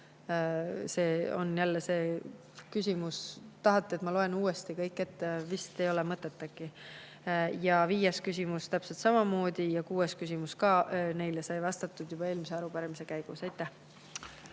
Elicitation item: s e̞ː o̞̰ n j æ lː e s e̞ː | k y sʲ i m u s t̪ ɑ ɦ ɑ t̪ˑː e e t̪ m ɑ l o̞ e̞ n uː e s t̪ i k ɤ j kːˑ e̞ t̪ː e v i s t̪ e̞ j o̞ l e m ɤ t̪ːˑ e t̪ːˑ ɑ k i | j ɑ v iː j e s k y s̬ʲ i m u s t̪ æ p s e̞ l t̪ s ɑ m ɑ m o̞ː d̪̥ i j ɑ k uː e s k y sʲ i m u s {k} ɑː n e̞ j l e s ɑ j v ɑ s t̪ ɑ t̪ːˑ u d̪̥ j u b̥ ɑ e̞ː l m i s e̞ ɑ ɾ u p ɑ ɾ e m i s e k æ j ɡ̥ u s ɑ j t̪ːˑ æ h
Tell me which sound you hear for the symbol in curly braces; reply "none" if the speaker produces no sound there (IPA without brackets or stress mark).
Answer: k